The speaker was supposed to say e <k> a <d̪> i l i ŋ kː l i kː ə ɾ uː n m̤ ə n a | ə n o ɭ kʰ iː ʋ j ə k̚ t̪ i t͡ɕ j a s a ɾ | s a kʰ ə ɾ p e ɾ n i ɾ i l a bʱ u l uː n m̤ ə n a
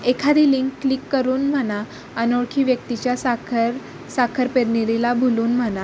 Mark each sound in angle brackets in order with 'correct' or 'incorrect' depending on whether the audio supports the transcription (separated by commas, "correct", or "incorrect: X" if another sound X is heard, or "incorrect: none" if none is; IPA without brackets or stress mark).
incorrect: kʰ, correct